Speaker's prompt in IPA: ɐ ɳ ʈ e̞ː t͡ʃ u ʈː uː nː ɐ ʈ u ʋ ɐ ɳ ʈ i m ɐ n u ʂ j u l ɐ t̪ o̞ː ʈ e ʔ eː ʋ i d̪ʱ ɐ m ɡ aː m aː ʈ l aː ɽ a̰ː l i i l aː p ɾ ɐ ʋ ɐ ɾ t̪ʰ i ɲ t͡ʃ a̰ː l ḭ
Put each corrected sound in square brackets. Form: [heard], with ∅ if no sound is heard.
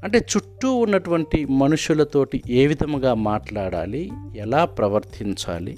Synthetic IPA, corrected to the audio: ɐ ɳ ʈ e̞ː t͡ʃ u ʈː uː nː ɐ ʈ u ʋ ɐ ɳ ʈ i m ɐ n u ʂ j u l ɐ t̪ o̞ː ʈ [i] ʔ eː ʋ i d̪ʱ ɐ m ɡ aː m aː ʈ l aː ɽ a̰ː l i [ɛ] l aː p ɾ ɐ ʋ ɐ ɾ t̪ʰ i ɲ t͡ʃ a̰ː l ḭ